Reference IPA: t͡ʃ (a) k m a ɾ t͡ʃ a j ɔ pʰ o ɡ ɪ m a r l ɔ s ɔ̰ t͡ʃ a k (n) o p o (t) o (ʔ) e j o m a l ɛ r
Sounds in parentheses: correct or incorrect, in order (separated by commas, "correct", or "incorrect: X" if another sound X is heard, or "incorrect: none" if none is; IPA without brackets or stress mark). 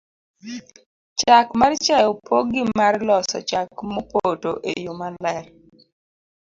correct, incorrect: m, correct, correct